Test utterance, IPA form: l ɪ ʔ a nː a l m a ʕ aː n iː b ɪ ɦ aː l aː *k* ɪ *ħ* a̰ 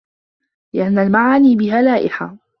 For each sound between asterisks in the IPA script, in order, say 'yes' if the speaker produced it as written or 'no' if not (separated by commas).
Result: no, yes